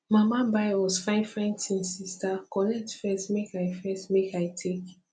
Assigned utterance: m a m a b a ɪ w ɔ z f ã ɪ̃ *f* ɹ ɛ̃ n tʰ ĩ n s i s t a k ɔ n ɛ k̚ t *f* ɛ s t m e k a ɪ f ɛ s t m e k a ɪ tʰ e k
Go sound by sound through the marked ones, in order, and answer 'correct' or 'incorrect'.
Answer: correct, correct

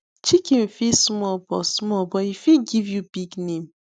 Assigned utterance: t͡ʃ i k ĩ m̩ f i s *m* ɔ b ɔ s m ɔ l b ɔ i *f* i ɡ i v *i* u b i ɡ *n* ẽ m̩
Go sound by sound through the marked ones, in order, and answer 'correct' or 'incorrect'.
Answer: correct, correct, incorrect: j, correct

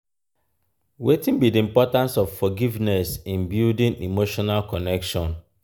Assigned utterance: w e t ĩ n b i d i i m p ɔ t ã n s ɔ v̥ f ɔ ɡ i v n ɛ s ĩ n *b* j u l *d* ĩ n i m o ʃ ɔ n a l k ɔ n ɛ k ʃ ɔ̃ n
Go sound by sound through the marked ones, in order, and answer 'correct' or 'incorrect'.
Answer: correct, correct

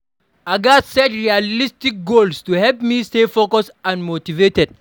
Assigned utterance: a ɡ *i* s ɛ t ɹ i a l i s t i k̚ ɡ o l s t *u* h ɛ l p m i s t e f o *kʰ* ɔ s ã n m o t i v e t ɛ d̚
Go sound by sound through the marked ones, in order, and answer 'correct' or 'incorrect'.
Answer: incorrect: a, correct, incorrect: k

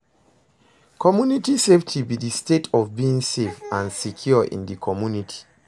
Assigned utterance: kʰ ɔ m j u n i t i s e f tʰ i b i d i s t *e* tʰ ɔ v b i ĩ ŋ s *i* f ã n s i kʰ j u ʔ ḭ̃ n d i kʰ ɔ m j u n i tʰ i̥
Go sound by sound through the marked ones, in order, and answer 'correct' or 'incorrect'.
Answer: correct, incorrect: e

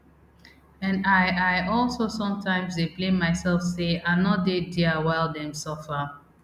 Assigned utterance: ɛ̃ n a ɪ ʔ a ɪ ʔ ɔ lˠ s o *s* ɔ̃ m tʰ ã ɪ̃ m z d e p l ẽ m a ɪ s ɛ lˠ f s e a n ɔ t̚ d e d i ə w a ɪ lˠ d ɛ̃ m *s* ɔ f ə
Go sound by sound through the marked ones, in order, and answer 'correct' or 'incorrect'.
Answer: correct, correct

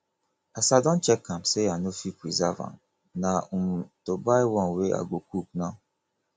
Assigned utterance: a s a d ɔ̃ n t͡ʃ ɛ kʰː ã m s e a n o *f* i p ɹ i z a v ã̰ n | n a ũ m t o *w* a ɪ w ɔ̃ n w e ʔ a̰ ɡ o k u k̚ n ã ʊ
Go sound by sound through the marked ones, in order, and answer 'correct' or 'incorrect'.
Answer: correct, incorrect: b

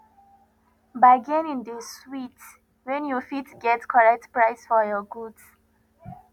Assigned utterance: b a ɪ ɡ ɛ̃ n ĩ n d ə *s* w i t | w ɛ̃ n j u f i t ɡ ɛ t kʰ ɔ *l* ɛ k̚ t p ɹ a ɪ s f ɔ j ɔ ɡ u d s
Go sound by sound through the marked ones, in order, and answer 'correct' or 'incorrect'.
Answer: correct, incorrect: ɹ

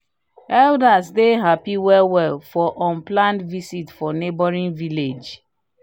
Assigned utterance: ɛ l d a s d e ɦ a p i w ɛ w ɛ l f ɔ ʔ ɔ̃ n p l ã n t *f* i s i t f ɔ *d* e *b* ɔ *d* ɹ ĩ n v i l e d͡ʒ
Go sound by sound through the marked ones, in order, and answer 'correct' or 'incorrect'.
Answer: incorrect: v, incorrect: n, correct, incorrect: none

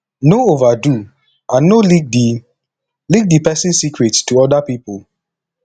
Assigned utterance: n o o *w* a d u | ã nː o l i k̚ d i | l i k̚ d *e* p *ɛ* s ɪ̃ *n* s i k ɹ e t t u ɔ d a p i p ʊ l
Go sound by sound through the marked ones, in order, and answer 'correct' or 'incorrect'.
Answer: incorrect: v, incorrect: i, correct, correct

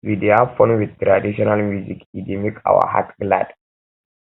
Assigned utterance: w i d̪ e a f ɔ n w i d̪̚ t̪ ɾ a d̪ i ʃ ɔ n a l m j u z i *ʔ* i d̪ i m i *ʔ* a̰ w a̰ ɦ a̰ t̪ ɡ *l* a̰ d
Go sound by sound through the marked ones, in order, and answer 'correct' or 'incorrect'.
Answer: incorrect: k, incorrect: k, correct

